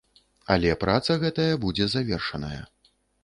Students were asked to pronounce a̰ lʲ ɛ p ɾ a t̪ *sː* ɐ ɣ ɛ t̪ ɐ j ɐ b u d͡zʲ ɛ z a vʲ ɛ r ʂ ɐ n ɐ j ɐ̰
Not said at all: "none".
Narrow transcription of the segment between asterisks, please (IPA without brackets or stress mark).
s